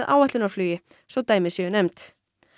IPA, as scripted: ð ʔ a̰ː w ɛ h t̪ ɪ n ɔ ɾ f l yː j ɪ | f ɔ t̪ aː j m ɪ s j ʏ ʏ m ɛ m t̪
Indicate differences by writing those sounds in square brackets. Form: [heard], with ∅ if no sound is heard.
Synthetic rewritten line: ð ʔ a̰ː w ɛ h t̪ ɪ n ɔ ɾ f l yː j ɪ | [s] ɔ t̪ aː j m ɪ s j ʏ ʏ [n] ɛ m t̪